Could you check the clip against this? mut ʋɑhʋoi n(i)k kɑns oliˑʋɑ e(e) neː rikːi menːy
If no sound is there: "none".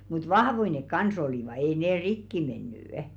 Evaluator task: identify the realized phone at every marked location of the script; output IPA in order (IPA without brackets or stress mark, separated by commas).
e, i